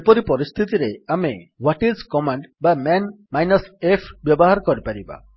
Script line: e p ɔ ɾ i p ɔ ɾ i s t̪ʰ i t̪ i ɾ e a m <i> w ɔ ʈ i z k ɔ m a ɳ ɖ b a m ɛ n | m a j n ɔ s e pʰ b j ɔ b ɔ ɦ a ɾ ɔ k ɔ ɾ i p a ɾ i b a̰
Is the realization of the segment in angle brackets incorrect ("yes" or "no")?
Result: yes